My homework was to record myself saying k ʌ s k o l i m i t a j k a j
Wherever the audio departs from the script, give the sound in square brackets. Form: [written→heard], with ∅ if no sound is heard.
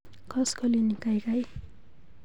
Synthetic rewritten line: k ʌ s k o l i [m→n] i [t→k] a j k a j